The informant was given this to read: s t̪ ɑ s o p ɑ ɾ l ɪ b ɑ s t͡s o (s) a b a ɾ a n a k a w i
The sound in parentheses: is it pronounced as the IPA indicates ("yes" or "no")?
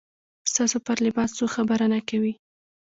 no